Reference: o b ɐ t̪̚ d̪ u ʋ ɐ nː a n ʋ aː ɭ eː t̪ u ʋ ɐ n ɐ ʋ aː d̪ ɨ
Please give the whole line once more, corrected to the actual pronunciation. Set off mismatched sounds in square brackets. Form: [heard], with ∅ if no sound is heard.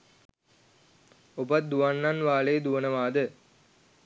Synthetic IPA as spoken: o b ɐ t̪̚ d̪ u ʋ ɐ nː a n ʋ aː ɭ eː [d̪] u ʋ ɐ n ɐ ʋ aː d̪ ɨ